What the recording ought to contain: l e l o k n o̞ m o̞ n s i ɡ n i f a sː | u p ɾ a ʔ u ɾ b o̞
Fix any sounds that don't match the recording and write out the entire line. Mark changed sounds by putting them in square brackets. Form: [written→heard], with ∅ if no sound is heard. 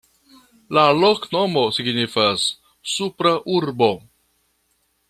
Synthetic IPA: l [e→a] l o k n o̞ m o̞ [n→∅] s i ɡ n i f a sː | u p ɾ a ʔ u ɾ b o̞